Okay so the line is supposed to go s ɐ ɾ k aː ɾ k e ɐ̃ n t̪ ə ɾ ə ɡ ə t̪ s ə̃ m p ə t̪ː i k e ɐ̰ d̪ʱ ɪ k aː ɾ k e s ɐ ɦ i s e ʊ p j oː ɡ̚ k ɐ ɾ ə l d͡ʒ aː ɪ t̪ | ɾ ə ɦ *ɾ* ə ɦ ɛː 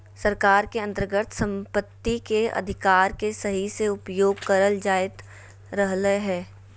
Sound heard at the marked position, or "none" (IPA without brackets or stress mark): l